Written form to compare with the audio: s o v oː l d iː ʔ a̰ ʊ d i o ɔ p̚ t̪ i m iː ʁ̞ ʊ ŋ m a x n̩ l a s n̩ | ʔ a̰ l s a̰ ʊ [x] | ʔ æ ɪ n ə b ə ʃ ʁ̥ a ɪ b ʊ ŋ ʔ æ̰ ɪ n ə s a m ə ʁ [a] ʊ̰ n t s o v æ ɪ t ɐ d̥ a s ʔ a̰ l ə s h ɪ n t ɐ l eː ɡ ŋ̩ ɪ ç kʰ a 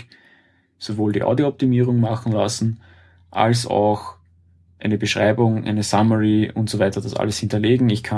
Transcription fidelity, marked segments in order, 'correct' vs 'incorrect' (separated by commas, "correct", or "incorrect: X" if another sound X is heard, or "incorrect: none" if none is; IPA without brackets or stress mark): correct, incorrect: i